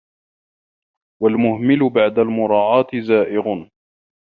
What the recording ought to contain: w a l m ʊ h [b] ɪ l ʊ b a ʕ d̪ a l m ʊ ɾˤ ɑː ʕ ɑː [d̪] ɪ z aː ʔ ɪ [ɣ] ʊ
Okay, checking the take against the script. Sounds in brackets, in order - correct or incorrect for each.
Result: incorrect: m, incorrect: t̪, correct

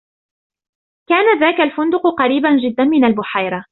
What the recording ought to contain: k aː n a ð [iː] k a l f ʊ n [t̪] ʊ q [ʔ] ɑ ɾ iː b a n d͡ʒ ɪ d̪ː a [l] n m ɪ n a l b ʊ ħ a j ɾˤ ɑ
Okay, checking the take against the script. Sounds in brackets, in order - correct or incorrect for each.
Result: incorrect: aː, incorrect: d̪, incorrect: q, incorrect: none

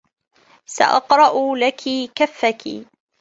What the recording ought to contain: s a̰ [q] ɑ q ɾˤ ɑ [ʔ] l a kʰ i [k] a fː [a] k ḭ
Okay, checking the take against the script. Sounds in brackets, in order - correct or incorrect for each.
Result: incorrect: ʔ, correct, correct, correct

